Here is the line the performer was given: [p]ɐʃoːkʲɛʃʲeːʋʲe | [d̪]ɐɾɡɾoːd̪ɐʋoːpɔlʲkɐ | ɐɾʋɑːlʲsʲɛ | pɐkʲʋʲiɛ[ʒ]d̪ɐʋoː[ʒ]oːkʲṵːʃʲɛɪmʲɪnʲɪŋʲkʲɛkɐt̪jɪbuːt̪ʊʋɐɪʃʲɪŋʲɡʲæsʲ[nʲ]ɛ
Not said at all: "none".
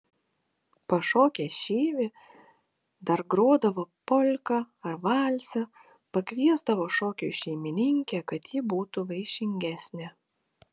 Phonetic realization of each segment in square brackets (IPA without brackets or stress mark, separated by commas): p, d̪, z, ʃ, nʲ